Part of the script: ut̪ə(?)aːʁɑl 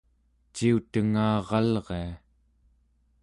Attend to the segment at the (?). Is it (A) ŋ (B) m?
A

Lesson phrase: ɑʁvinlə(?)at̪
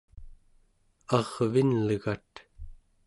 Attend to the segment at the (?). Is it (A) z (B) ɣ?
B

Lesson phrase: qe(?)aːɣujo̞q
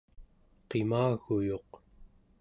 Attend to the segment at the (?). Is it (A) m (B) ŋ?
A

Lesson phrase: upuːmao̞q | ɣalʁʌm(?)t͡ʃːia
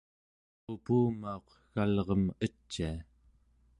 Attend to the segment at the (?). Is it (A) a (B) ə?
B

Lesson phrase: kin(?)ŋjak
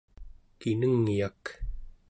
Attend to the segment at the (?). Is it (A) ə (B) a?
A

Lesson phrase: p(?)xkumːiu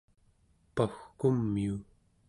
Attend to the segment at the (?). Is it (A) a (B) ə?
A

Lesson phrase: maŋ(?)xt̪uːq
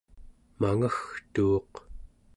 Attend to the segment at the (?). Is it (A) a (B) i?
A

